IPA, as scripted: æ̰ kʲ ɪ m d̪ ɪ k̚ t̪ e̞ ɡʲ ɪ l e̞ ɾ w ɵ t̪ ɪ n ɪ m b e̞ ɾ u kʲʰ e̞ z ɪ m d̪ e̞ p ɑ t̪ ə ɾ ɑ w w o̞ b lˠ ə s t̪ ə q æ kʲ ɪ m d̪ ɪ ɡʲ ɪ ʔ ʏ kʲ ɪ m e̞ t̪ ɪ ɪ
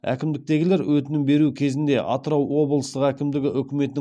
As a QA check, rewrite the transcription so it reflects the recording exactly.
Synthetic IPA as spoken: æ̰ kʲ ɪ m d̪ ɪ k̚ t̪ e̞ ɡʲ ɪ l e̞ ɾ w ɵ t̪ ɪ n ɪ m b e̞ ɾ u kʲʰ e̞ z ɪ n d̪ e̞ ʔ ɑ t̪ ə ɾ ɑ w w o̞ b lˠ ə s t̪ ə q æ kʲ ɪ m d̪ ɪ ɡʲ ɪ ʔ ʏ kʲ ɪ m e̞ t̪ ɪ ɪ